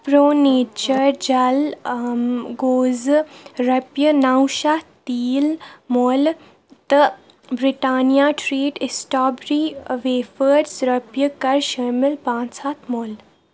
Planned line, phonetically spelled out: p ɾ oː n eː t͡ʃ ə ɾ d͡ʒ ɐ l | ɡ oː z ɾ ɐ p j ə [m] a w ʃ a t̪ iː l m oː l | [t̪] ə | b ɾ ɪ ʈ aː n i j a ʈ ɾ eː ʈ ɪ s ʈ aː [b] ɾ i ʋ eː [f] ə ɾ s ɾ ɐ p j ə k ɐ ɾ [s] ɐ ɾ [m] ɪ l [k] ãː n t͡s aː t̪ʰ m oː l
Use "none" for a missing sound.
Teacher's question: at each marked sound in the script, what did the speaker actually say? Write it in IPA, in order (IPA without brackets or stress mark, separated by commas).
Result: n, t̪, b, f, ʃ, m, p